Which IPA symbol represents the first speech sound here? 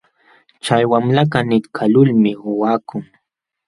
t͡ʃ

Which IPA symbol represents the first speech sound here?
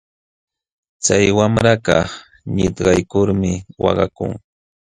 t͡s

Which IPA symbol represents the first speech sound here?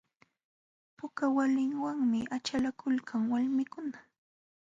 p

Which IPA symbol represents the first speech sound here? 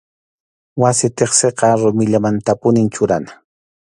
w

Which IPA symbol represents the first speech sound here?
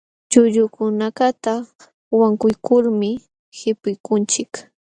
t͡ʃ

